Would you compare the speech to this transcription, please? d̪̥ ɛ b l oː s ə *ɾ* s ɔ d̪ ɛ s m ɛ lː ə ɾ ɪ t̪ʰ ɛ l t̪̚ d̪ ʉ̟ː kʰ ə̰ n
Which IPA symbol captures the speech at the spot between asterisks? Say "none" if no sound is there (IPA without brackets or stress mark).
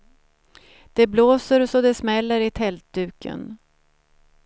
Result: ɾ